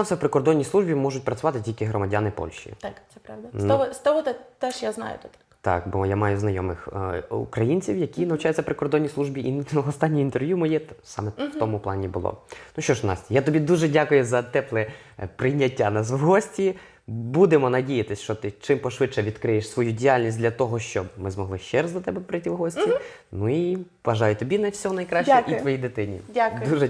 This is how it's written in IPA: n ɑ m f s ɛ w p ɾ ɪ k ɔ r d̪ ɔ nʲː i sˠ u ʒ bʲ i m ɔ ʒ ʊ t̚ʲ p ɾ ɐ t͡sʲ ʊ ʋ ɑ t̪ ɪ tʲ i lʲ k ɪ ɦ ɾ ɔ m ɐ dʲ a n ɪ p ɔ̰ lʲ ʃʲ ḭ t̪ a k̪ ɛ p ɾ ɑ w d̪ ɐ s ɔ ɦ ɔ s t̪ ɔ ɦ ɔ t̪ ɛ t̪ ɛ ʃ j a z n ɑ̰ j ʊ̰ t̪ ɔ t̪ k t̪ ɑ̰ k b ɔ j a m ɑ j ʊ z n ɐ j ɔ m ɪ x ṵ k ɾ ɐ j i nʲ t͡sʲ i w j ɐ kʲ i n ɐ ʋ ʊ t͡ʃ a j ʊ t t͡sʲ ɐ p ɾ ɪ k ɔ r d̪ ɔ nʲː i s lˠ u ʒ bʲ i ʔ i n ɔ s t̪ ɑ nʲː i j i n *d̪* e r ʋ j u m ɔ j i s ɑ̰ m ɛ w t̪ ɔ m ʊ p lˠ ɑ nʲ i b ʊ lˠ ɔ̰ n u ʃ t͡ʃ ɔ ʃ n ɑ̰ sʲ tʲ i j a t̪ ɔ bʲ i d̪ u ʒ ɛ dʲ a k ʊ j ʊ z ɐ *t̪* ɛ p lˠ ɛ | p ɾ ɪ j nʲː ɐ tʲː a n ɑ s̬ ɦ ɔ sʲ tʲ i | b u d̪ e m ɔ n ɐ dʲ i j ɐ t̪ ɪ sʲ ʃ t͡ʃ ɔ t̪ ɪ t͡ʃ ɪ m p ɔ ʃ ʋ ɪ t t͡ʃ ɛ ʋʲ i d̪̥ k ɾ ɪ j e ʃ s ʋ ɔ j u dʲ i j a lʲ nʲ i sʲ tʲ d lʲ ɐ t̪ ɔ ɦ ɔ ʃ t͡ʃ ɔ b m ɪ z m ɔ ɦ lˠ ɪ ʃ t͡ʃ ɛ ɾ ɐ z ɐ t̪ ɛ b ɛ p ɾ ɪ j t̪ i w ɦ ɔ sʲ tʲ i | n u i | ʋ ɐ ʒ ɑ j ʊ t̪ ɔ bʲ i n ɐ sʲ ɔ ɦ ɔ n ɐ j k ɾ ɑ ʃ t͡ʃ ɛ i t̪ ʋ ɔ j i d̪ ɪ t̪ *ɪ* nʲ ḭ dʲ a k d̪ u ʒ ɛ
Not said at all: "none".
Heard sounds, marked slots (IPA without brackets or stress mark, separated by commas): t̪, t̪, ɪ